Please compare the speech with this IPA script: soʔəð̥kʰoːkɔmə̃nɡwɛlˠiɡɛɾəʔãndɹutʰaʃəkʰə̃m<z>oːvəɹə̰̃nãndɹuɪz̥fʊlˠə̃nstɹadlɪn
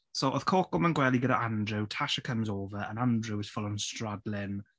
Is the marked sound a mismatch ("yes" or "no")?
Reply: no